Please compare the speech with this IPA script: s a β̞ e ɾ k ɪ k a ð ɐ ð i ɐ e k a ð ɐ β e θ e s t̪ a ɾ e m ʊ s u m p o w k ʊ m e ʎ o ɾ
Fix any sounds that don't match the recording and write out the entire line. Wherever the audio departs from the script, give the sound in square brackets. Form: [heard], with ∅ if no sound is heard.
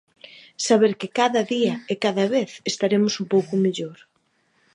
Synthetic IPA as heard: s a β̞ e ɾ k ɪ k a ð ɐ ð i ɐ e k a ð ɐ β e θ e s t̪ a ɾ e m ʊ s u m p o w k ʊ m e ʎ o ɾ